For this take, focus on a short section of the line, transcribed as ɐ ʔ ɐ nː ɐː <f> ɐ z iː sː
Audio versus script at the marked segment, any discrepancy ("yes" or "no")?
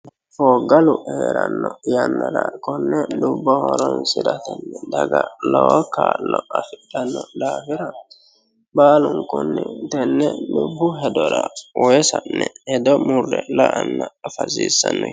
no